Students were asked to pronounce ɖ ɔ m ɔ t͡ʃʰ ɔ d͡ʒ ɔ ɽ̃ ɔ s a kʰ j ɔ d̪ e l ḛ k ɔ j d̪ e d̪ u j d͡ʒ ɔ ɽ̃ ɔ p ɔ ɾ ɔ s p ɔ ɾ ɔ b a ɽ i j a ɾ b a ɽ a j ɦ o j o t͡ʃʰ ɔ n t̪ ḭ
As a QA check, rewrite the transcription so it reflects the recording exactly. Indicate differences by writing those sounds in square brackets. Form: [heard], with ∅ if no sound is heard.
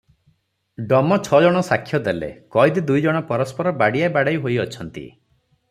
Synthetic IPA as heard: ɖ ɔ m ɔ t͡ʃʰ ɔ d͡ʒ ɔ ɽ̃ ɔ s a kʰ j ɔ d̪ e l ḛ k ɔ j d̪ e d̪ u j d͡ʒ ɔ ɽ̃ ɔ p ɔ ɾ ɔ s p ɔ ɾ ɔ b a ɽ i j a [∅] b a ɽ a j ɦ o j [ɔ] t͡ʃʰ ɔ n t̪ ḭ